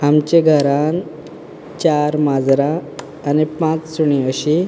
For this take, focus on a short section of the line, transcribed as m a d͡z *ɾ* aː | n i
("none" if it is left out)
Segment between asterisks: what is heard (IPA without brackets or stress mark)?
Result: ɾ